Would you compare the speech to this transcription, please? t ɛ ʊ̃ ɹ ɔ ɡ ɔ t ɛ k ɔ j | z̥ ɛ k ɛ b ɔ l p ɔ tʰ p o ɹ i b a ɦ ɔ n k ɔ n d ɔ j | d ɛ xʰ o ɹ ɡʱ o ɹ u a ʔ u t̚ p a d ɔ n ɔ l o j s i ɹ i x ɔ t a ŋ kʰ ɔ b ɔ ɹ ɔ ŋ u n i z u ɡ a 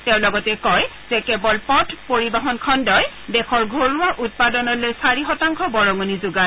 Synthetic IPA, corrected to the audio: t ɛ ʊ̃ l ɔ ɡ ɔ t ɛ k ɔ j | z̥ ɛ k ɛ b ɔ l p ɔ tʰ p o ɹ i b a ɦ ɔ n kʰ ɔ n d ɔ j | d ɛ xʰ ɔ ɹ ɡʱ o ɹ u a ʔ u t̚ p a d ɔ n ɔ l o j s a ɹ i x ɔ t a ŋ kʰ ɔ b ɔ ɹ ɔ ŋ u n i z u ɡ a

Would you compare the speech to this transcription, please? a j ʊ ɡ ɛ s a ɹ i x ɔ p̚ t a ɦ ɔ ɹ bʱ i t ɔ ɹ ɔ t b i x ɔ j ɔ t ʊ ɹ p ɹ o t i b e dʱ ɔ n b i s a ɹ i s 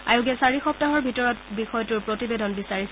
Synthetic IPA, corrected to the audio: a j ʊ ɡ ɛ s a ɹ i x ɔ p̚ t a ɦ ɔ ɹ bʱ i t ɔ ɹ ɔ t b i x ɔ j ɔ t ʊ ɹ p ɹ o t i b e dʱ ɔ n b i s a ɹ i s

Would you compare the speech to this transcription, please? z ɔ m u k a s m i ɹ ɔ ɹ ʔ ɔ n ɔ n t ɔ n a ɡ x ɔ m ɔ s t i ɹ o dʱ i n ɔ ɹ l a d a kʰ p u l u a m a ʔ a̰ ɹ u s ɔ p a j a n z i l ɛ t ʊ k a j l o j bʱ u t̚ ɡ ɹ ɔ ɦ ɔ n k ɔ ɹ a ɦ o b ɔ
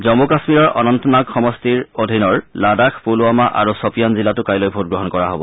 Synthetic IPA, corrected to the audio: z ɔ m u k a s m i ɹ ɔ ɹ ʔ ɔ n ɔ n t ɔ n a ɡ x ɔ m ɔ s t i ɹ o dʱ i n ɔ ɹ l a d a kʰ p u l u a m a ʔ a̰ ɹ u s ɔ p i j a n z i l a t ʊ k a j l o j bʱ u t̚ ɡ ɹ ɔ ɦ ɔ n k ɔ ɹ a ɦ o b ɔ

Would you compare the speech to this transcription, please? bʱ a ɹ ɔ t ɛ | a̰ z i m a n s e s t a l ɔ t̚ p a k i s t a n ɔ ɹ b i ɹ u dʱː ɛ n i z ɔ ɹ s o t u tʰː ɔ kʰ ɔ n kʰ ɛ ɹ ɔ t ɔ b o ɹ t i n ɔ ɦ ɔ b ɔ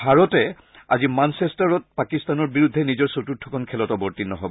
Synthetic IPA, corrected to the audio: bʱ a ɹ ɔ t ɛ | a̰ z i m a n s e s t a ɹ ɔ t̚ p a k i s t a n ɔ ɹ b i ɹ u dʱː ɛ n i z ɔ ɹ s o t u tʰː ɔ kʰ ɔ n kʰ ɛ l ɔ t ɔ b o ɹ t i n ɔ ɦ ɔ b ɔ

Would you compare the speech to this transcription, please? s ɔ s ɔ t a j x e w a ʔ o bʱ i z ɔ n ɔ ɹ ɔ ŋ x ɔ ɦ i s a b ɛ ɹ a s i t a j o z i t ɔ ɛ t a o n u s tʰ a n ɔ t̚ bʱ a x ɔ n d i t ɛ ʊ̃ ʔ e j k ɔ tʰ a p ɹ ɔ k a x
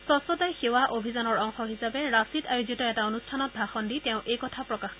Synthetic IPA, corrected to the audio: s ɔ s ɔ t a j x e w a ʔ o bʱ i z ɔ n ɔ ɹ ɔ ŋ x ɔ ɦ i s a b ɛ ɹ a s i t a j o z i t ɔ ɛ t a o n u s tʰ a n ɔ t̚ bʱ a x ɔ n d i t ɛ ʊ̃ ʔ e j k ɔ tʰ a p ɹ ɔ k a x

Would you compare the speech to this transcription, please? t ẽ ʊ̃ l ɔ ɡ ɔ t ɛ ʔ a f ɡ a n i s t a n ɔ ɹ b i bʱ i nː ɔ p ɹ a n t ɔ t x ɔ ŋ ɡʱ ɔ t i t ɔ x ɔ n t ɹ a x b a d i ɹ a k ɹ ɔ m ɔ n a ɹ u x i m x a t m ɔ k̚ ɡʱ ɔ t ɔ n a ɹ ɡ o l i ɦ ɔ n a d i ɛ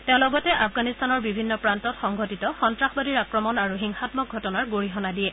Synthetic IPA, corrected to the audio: t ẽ ʊ̃ l ɔ ɡ ɔ t ɛ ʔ a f ɡ a n i s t a n ɔ ɹ b i bʱ i nː ɔ p ɹ a n t ɔ t x ɔ ŋ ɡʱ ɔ t i t ɔ x ɔ n t ɹ a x b a d i ɹ a k ɹ ɔ m ɔ n a ɹ u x i ŋ x a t m ɔ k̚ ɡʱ ɔ t ɔ n a ɹ ɡ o ɹ i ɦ ɔ n a d i ɛ

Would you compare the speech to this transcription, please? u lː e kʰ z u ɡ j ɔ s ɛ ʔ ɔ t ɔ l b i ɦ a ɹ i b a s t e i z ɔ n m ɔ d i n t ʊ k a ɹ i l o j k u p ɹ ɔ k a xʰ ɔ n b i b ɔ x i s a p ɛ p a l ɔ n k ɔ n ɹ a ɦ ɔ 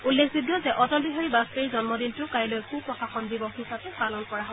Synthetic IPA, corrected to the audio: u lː e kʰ z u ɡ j ɔ z ɛ ʔ ɔ t ɔ l b i ɦ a ɹ i b a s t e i z ɔ n m ɔ d i n t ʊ k a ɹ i l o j k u p ɹ ɔ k a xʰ ɔ n b i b ɔ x i s a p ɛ p a l ɔ n k ɔ ɹ a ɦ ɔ

